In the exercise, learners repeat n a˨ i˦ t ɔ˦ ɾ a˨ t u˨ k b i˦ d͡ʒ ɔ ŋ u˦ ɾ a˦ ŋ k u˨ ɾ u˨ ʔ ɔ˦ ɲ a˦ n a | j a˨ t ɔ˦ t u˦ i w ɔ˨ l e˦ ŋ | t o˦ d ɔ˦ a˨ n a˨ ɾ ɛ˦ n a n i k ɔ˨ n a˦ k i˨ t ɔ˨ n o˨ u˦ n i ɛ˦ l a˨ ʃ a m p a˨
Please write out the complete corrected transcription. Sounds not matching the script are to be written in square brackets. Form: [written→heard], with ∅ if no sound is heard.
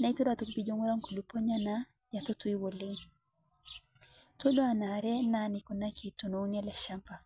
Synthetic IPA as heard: n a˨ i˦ t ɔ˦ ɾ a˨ t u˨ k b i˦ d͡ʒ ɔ ŋ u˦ ɾ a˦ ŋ k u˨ [ɾ→l] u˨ [ʔ→p] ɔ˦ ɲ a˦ n a | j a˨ t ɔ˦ t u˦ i w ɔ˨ l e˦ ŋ | t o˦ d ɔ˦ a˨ n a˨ ɾ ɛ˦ n a n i k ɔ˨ n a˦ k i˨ t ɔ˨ n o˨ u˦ n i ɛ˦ l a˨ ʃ a m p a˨